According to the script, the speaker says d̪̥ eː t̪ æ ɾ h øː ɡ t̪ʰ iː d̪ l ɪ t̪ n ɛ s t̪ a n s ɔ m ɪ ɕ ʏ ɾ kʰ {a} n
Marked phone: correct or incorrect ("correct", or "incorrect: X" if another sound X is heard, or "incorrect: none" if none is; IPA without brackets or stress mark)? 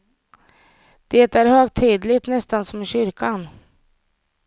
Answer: correct